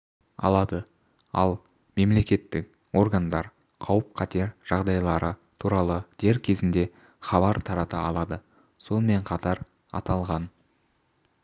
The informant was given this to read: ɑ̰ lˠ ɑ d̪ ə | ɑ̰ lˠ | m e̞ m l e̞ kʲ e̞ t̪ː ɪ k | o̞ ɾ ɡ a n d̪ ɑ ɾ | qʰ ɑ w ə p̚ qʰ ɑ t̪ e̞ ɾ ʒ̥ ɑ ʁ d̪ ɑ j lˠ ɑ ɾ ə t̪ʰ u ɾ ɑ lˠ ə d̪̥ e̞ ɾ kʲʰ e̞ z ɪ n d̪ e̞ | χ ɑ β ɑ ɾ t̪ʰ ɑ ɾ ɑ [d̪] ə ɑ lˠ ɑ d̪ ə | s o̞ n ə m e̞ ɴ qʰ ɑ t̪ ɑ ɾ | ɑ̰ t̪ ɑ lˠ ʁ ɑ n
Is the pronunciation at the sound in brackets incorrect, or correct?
incorrect